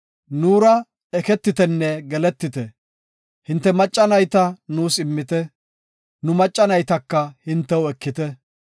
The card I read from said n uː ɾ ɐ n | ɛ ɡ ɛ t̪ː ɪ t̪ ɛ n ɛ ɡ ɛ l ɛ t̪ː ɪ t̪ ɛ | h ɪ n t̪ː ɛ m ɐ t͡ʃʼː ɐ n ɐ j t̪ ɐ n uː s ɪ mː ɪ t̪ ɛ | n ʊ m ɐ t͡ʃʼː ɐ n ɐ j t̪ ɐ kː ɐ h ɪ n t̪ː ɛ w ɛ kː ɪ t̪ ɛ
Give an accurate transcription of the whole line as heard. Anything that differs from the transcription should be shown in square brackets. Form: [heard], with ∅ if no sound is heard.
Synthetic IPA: n uː ɾ ɐ [∅] | ɛ [k] ɛ t̪ː ɪ t̪ ɛ [nː] ɛ ɡ ɛ l ɛ t̪ː ɪ t̪ ɛ | h ɪ n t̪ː ɛ m ɐ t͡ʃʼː ɐ n ɐ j t̪ ɐ n uː s ɪ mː ɪ t̪ ɛ | n ʊ m ɐ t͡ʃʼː ɐ n ɐ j t̪ ɐ kː ɐ h ɪ n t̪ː ɛ w ɛ kː ɪ t̪ ɛ